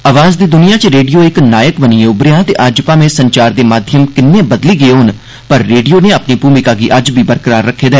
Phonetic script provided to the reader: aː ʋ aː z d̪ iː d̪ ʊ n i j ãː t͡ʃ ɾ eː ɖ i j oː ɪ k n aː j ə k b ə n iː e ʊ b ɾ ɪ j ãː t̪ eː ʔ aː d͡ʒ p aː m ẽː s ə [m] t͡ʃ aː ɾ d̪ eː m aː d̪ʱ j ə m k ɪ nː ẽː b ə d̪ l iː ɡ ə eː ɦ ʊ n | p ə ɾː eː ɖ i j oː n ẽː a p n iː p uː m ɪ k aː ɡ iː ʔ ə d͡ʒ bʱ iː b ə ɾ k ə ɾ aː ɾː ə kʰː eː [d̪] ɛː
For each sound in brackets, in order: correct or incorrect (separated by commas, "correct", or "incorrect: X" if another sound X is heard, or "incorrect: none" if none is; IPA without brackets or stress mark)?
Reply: incorrect: ɲ, correct